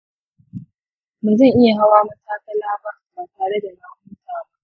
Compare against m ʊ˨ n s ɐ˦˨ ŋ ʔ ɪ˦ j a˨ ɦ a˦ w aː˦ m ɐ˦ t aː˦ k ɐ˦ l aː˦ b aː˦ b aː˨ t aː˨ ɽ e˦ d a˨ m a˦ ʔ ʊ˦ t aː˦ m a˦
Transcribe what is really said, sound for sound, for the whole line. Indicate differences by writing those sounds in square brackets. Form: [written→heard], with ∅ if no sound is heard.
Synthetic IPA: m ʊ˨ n [s→z] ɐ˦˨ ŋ ʔ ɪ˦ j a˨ ɦ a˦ w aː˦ m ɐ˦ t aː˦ k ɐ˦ l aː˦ b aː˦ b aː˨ t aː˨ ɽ e˦ d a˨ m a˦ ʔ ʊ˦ t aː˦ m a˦